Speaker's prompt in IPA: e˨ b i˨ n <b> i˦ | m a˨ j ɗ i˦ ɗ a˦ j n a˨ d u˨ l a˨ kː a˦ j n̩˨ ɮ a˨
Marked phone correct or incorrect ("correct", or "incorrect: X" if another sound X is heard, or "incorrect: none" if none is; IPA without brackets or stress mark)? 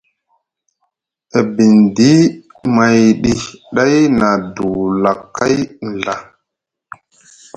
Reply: incorrect: d